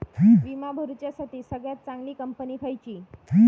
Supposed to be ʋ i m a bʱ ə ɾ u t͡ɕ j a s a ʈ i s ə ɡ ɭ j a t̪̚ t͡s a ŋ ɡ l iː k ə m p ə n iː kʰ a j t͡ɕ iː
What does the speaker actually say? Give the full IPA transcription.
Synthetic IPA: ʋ i m a bʱ ə ɾ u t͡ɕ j a s a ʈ iː s ə ɡ ɭ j a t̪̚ t͡s a ŋ ɡ l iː k ə m p ə n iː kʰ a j t͡ɕ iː